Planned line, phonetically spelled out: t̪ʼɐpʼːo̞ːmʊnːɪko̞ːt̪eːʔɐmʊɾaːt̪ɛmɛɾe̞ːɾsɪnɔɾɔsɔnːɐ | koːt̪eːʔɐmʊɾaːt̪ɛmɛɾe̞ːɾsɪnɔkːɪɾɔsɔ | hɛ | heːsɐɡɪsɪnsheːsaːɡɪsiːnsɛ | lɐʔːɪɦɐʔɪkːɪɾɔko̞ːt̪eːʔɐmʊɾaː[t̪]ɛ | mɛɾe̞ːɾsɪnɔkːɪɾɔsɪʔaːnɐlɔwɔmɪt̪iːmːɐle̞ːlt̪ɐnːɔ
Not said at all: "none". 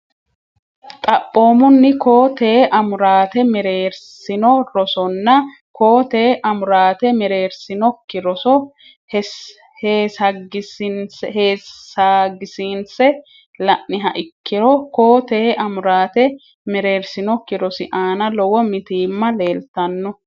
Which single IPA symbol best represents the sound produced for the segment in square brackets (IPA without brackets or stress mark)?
t̪